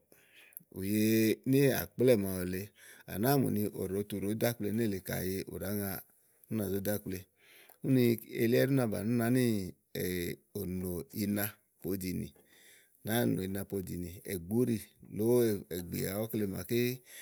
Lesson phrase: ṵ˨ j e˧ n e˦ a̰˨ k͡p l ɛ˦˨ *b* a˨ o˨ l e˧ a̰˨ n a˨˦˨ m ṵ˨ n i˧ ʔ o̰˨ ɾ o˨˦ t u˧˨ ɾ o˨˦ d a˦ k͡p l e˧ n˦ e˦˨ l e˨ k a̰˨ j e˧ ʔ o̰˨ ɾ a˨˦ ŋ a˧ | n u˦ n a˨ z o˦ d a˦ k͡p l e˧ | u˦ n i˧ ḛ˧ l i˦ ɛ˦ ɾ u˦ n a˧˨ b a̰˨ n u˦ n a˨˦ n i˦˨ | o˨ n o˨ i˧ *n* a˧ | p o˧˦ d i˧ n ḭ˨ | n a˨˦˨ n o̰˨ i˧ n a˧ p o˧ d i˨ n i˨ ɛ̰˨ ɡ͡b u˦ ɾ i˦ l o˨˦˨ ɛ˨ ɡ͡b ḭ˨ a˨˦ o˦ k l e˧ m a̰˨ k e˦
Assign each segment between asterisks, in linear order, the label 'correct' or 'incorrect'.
incorrect: m, correct

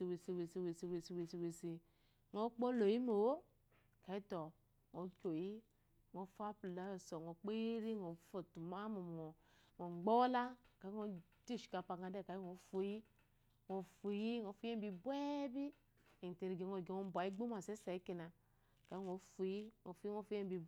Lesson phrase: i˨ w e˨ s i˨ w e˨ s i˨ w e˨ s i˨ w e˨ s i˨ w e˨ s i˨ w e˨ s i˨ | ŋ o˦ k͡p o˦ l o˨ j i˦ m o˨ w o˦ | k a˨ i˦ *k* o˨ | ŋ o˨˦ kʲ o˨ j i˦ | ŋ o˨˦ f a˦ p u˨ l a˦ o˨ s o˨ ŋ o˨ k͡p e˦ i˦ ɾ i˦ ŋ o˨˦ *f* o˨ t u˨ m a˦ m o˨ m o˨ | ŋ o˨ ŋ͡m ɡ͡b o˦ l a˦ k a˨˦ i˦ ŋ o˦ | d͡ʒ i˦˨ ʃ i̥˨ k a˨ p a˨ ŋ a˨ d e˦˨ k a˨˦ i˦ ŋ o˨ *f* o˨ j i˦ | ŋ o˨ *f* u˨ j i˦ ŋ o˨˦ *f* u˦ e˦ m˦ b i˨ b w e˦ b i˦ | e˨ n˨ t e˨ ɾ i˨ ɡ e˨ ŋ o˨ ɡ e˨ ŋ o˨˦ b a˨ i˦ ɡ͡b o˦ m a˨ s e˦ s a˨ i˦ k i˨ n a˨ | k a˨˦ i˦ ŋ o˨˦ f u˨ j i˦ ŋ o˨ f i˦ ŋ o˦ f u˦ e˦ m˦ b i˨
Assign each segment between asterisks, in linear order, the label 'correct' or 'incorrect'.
incorrect: t, correct, correct, correct, correct

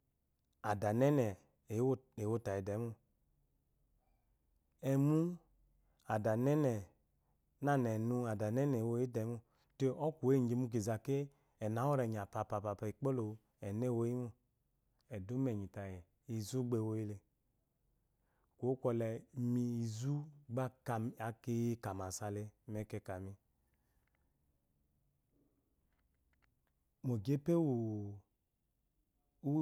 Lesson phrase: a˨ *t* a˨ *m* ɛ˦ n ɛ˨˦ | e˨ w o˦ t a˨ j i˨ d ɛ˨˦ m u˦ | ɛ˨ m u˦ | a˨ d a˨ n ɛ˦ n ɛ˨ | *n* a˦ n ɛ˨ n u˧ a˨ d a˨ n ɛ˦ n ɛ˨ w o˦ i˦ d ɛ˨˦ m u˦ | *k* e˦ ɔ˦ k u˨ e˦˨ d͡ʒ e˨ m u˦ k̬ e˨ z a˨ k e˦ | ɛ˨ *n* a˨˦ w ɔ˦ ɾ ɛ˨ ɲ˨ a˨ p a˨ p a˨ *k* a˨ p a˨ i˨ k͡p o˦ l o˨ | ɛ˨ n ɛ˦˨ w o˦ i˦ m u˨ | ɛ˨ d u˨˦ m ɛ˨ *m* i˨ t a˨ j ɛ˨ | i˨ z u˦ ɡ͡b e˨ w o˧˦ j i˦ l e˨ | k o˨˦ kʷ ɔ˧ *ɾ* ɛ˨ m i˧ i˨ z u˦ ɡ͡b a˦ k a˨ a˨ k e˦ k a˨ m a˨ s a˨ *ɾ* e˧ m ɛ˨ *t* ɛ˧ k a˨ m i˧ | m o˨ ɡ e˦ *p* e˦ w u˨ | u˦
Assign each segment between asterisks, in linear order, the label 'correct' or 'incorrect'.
incorrect: d, incorrect: n, correct, incorrect: t, correct, incorrect: p, incorrect: ɲ, incorrect: l, incorrect: l, incorrect: k, correct

